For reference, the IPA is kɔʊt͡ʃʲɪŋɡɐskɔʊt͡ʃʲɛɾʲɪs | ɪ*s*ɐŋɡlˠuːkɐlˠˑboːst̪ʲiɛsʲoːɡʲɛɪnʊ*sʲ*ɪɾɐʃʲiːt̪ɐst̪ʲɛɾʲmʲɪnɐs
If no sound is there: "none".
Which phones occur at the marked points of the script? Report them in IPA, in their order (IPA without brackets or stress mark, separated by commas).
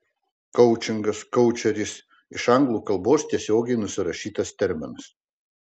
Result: ʃ, sʲ